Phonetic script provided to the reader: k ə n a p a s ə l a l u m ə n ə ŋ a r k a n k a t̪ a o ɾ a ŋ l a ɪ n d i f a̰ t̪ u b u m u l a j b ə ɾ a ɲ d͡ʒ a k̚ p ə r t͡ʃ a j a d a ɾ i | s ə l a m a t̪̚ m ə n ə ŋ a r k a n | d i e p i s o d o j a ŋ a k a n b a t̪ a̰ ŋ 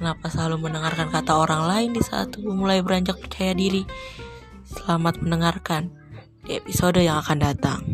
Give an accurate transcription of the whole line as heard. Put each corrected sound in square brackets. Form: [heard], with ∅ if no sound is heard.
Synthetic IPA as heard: k ə n a p a s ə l a l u m ə n ə ŋ a r k a n k a t̪ a o ɾ a ŋ l a ɪ n d i [s] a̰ t̪ u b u m u l a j b ə ɾ a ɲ d͡ʒ a k̚ p ə r t͡ʃ a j a d [i] ɾ i | s ə l a m a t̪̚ m ə n ə ŋ a r k a n | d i e p i s o d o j a ŋ a k a n [d] a t̪ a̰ ŋ